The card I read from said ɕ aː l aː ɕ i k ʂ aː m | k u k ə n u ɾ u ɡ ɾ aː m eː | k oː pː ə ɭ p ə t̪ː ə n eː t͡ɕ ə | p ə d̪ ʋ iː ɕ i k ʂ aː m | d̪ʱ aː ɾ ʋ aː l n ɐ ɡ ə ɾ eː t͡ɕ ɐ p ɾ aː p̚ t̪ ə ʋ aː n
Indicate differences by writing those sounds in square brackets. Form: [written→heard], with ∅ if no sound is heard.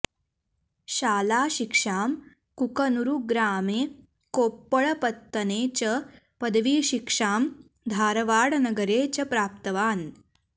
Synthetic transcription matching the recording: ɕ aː l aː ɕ i k ʂ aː m | k u k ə n u ɾ u ɡ ɾ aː m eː | k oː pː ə ɭ p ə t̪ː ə n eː t͡ɕ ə | p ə d̪ ʋ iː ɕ i k ʂ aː m | d̪ʱ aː ɾ ʋ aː [l→ɽ] n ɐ ɡ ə ɾ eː t͡ɕ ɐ p ɾ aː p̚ t̪ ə ʋ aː n